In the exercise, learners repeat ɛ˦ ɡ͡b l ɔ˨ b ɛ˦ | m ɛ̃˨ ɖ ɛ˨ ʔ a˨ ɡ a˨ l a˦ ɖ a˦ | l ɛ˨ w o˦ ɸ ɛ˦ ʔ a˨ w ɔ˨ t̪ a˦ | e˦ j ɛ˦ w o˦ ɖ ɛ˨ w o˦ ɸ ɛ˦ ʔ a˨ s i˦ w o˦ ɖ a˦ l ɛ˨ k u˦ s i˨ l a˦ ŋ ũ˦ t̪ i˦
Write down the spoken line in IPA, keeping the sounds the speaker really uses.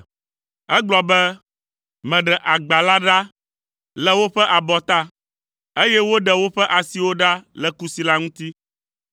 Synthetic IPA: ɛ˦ ɡ͡b l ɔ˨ b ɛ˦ | m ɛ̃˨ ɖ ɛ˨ ʔ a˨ ɡ͡b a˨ l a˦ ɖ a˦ | l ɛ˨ w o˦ ɸ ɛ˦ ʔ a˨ b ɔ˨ t̪ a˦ | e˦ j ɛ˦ w o˦ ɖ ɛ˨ w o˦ ɸ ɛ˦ ʔ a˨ s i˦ w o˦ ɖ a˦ l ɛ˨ k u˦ s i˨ l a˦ ŋ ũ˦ t̪ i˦